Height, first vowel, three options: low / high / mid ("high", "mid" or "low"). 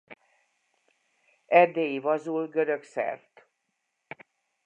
mid